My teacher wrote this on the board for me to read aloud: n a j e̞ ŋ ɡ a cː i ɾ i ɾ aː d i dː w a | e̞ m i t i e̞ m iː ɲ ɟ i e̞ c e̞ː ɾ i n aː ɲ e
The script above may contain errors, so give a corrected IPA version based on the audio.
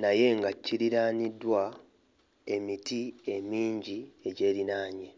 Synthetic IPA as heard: n a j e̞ ŋ ɡ a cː i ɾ i ɾ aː n i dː w a | e̞ m i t i e̞ m iː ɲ ɟ i e̞ ɟ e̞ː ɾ i n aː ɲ e